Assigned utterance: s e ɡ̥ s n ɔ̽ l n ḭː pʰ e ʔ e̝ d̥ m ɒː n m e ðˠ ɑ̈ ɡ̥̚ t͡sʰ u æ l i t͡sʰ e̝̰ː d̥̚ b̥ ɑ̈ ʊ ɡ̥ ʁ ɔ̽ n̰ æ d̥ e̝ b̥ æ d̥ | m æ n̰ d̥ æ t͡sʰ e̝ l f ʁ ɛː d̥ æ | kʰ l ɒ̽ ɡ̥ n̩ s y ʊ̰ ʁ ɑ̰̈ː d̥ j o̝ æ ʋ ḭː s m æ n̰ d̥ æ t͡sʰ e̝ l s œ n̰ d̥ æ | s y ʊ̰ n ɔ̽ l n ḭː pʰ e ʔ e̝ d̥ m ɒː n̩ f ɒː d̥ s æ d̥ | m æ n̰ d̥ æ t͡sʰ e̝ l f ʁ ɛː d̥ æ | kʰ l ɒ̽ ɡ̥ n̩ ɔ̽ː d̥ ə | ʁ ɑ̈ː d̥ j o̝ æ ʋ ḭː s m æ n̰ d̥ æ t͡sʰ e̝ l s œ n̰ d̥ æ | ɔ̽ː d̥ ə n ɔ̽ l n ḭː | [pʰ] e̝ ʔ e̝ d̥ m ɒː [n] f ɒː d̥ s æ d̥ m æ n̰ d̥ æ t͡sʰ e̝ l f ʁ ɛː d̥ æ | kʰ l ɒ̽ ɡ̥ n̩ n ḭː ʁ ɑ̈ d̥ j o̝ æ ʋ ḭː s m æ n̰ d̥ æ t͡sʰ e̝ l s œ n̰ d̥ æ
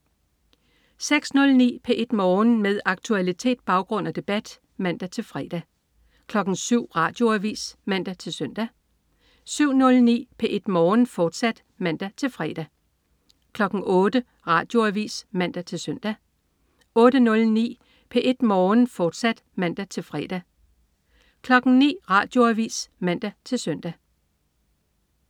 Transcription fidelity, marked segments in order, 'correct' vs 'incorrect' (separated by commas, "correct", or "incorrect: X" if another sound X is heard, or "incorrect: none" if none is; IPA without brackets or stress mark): correct, correct